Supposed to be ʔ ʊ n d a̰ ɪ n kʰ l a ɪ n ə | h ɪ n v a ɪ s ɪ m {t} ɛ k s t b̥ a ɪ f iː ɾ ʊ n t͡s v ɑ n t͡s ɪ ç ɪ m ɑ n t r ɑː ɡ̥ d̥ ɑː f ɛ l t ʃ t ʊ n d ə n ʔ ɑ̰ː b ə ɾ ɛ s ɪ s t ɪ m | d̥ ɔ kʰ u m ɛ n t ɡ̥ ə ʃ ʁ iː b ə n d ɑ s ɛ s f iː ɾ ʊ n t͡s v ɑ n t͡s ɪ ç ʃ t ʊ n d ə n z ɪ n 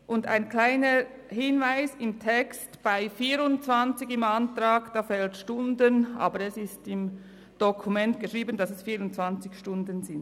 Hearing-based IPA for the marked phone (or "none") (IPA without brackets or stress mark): tʰ